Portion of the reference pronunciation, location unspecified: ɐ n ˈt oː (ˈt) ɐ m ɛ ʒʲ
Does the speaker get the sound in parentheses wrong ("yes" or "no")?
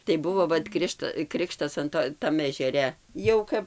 no